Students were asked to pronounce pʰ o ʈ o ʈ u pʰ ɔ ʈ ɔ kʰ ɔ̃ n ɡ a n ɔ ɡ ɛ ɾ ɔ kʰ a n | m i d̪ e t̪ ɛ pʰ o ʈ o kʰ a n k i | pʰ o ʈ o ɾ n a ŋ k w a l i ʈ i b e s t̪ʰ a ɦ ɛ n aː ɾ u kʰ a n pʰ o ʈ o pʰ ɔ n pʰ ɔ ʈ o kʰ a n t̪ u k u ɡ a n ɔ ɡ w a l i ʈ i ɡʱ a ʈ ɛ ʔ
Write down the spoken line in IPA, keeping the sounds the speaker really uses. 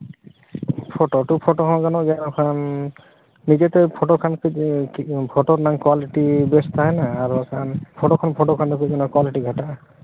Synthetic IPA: pʰ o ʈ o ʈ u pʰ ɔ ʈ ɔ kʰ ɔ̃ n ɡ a n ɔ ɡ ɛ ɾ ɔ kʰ a n | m i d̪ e t̪ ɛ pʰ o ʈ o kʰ a n k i | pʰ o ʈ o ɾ n a ŋ k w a l i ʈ i b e s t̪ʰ a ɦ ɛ n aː ɾ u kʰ a n pʰ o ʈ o kʰ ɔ n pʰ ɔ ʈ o kʰ a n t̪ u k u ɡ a n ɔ k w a l i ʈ i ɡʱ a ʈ a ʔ